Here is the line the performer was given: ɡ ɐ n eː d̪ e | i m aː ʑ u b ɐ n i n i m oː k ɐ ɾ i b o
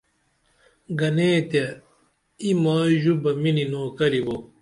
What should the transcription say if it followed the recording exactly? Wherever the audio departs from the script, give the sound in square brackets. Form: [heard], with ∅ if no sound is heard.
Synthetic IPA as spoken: ɡ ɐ n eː [t̪] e | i m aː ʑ u b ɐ [m] i n i [n] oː k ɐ ɾ i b o